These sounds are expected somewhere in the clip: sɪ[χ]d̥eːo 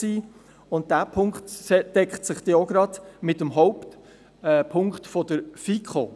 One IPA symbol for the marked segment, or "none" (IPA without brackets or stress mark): χ